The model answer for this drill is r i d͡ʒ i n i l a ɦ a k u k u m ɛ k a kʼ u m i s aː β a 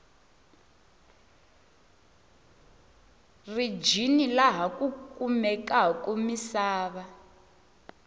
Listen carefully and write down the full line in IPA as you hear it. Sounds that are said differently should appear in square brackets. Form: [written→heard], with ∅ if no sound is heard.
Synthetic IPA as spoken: r i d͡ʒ i n i l a ɦ a k u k u m ɛ k a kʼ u m i s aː β a